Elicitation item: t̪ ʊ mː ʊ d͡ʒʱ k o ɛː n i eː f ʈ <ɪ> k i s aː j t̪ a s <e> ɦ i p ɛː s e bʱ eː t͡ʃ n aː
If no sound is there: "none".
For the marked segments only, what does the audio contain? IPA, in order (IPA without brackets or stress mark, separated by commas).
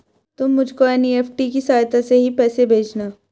i, e